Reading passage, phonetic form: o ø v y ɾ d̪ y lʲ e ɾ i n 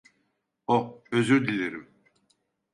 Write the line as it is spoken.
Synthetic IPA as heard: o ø z y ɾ d̪ i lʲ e ɾ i m